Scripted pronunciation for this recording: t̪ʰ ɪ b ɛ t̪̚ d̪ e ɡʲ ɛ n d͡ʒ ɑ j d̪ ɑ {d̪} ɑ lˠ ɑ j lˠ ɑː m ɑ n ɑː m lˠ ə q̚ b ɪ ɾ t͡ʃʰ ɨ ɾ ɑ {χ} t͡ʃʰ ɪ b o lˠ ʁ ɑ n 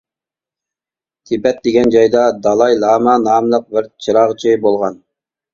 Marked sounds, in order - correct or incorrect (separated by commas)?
correct, incorrect